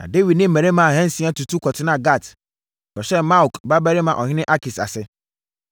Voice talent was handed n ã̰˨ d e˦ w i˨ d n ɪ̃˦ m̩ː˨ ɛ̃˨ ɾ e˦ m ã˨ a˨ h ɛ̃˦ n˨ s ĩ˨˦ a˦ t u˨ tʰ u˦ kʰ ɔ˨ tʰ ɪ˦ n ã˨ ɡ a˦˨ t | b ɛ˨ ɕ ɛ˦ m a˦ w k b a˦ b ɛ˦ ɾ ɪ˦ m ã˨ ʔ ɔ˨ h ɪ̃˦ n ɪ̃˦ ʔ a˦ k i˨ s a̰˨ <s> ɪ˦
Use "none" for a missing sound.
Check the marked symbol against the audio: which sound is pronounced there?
s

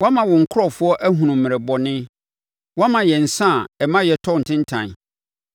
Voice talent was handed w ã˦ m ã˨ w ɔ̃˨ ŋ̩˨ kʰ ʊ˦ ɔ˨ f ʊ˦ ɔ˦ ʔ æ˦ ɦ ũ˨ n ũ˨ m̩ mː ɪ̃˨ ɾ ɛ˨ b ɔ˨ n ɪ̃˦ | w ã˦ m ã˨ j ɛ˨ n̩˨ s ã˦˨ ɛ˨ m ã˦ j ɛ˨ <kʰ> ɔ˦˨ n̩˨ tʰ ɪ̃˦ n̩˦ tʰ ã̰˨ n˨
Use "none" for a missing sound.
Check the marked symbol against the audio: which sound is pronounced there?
tʰ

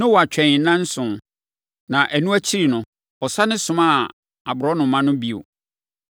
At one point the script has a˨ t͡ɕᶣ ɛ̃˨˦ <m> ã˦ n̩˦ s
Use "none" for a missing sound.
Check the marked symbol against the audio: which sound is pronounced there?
n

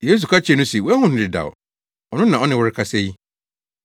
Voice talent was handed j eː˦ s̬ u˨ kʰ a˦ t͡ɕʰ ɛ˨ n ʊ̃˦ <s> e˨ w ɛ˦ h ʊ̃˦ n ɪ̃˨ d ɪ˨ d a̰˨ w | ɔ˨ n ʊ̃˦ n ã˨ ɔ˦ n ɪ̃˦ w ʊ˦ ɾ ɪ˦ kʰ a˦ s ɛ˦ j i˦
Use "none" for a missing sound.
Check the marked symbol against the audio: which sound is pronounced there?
s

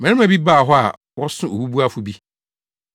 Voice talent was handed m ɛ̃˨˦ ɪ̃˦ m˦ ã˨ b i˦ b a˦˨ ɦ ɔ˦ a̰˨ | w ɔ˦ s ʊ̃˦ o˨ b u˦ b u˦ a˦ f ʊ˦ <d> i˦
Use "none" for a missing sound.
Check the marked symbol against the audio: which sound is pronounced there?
b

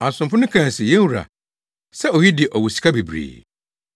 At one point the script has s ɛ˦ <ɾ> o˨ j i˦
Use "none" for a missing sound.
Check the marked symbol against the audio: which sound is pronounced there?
none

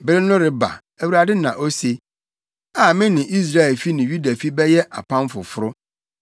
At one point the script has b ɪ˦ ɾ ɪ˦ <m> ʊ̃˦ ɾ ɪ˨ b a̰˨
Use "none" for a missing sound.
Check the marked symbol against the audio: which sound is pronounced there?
n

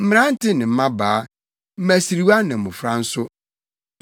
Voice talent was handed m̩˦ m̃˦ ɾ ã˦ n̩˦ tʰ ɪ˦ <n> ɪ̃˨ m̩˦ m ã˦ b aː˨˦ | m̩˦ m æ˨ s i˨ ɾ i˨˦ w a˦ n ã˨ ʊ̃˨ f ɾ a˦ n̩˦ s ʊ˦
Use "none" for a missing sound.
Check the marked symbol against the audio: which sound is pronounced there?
n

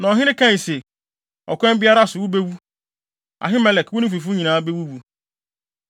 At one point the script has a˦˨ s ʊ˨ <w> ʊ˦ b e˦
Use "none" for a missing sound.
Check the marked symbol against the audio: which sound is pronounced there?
w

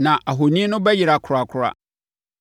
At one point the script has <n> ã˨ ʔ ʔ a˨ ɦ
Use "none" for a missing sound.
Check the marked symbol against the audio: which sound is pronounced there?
n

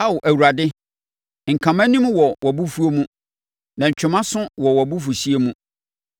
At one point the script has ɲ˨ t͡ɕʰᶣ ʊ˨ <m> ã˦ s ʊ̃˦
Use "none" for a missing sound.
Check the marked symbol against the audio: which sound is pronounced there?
m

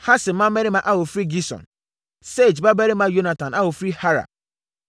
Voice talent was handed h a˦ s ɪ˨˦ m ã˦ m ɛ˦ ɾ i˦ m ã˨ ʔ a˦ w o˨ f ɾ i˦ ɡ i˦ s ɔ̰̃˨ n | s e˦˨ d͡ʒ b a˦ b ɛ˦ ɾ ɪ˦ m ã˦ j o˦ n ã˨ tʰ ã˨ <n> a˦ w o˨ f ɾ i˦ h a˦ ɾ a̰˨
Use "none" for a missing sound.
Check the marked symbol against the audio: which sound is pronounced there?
n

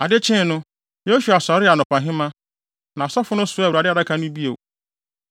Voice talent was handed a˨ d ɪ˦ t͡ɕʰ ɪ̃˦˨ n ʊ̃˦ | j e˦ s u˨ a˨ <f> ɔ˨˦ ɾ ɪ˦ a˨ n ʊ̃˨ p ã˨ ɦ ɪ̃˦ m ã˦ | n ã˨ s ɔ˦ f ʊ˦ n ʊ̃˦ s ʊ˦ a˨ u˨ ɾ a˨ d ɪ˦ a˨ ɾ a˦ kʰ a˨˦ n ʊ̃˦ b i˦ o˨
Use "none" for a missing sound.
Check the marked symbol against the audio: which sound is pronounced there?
s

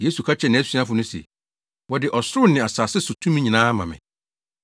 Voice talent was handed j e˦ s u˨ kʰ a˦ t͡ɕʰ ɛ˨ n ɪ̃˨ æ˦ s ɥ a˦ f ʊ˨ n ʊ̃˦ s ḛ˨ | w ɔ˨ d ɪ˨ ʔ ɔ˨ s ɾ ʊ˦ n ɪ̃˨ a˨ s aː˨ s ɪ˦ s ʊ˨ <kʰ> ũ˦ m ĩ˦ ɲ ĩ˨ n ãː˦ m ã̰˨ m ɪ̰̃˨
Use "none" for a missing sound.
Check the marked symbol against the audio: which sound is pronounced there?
tʰ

